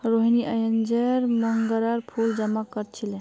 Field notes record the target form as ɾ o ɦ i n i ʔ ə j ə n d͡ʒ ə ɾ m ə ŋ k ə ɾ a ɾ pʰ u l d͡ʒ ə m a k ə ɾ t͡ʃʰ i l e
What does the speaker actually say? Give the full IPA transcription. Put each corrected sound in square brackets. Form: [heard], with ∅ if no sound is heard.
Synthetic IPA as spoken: ɾ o ɦ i n i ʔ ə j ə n d͡ʒ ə ɾ m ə ŋ [ɡ] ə ɾ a ɾ pʰ u l d͡ʒ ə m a k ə ɾ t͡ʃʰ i l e

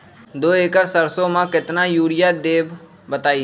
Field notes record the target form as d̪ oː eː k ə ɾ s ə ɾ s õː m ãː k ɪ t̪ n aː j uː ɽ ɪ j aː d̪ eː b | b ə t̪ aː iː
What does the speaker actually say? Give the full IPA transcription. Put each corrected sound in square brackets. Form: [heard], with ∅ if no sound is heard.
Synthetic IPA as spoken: d̪ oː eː k ə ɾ s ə ɾ s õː m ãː k ɪ t̪ n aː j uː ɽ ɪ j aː d̪ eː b | b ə t̪ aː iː

